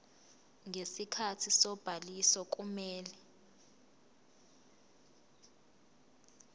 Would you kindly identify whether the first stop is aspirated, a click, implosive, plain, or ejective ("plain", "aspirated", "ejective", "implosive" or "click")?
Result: aspirated